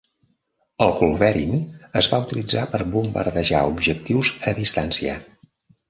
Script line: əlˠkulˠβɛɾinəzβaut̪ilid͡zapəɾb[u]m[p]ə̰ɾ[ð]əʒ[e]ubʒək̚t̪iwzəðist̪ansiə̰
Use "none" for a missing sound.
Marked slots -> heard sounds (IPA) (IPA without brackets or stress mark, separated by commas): u, b, ð, a